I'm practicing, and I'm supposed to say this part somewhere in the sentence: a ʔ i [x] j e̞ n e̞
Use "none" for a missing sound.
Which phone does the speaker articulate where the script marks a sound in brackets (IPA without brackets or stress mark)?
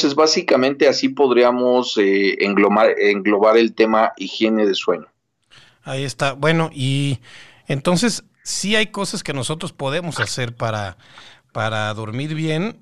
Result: x